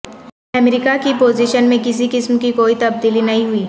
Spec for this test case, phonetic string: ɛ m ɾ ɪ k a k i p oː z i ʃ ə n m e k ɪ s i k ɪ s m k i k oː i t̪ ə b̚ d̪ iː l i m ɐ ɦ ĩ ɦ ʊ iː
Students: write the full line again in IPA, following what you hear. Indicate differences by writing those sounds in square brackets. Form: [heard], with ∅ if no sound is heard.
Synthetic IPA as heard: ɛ m ɾ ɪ k a k i p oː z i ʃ ə n m [ẽ] k ɪ s i k ɪ s m k i k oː i t̪ [ɐ] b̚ d̪ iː l i [n] ɐ ɦ ĩ ɦ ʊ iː